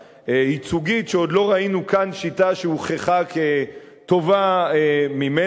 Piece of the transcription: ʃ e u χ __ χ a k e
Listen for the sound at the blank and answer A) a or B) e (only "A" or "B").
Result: B